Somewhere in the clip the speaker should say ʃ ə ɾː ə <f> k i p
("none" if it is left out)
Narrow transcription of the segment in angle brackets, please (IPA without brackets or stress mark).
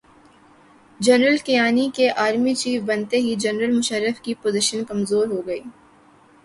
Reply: f